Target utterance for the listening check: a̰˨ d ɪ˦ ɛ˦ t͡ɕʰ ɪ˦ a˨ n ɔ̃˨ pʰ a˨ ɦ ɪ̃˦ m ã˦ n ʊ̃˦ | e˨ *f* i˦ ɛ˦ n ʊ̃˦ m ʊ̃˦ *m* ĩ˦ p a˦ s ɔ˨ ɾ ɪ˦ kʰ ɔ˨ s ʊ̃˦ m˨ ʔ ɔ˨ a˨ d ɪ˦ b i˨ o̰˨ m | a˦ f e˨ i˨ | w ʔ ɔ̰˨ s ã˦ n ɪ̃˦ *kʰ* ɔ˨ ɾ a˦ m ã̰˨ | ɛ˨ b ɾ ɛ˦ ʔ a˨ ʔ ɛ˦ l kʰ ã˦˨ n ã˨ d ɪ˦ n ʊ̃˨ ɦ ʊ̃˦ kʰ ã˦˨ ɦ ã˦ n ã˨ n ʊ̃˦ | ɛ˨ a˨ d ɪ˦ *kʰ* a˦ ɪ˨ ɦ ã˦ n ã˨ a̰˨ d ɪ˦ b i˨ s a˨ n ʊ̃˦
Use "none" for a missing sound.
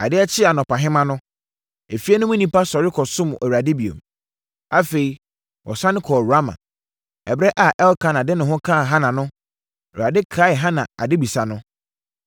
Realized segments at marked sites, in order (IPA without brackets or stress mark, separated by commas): f, n, kʰ, kʰ